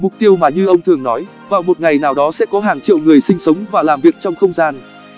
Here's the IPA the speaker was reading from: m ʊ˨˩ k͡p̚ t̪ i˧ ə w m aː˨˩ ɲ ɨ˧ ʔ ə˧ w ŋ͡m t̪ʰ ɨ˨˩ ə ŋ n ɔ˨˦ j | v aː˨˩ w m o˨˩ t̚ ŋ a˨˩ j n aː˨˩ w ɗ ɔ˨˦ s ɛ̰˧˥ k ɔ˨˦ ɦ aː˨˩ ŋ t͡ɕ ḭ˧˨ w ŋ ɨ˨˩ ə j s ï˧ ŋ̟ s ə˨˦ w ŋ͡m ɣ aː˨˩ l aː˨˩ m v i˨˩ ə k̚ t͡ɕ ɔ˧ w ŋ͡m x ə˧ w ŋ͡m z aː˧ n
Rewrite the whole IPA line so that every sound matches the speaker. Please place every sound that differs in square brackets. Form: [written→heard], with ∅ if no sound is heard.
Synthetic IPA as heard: m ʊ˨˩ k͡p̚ t̪ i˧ ə w m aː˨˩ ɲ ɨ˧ ʔ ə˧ w ŋ͡m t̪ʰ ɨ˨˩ ə ŋ n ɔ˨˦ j | v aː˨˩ w m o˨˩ t̚ ŋ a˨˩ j n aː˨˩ w ɗ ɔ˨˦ s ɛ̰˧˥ k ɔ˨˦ ɦ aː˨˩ ŋ t͡ɕ ḭ˧˨ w ŋ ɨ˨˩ ə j s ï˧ ŋ̟ s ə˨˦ w ŋ͡m [ɣ→v] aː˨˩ l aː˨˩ m v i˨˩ ə k̚ t͡ɕ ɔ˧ w ŋ͡m x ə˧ w ŋ͡m z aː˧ n